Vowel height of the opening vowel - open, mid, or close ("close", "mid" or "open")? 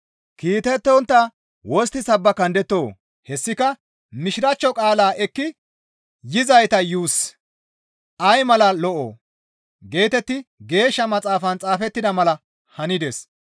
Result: close